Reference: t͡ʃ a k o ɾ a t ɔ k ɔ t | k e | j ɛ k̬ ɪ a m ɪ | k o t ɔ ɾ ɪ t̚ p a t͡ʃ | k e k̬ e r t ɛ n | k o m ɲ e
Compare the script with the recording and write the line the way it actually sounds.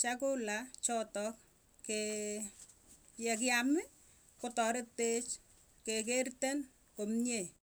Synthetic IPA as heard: t͡ʃ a k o l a t͡ʃ ɔ t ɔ k | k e | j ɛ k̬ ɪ a m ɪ | k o t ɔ ɾ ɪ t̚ p e t͡ʃ | k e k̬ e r t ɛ n | k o m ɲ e